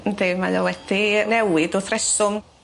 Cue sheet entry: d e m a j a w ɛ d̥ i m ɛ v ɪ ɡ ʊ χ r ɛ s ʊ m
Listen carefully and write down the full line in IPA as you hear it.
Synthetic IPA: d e m a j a w ɛ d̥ i n ɛ w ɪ d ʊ θ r ɛ s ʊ m